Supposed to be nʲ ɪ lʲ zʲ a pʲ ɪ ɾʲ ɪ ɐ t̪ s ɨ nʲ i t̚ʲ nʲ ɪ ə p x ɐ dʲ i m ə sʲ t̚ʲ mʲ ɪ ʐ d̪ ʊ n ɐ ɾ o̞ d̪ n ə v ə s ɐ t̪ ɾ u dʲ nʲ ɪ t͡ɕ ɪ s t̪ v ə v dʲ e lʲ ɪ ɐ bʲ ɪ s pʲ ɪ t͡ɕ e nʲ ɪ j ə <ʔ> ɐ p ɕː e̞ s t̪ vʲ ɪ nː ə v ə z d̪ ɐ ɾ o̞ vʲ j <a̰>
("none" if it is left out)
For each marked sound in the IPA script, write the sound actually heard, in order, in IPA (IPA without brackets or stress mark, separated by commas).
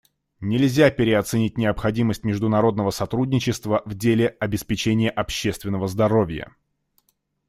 ʔ, ə̰